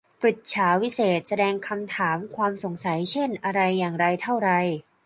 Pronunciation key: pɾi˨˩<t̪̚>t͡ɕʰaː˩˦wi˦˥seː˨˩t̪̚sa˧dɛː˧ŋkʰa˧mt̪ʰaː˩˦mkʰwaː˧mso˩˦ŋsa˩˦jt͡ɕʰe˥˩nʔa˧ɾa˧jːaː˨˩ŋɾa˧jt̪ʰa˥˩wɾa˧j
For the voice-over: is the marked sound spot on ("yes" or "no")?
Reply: yes